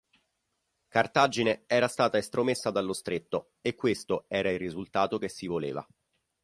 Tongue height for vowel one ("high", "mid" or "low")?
low